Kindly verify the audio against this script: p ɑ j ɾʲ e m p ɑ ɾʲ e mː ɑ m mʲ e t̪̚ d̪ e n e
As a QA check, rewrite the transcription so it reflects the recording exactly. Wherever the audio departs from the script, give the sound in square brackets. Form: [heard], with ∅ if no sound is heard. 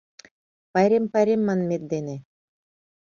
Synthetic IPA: p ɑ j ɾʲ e m p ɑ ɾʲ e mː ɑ [n] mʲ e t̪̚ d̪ e n e